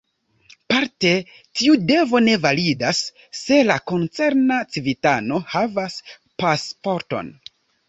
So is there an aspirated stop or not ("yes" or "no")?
no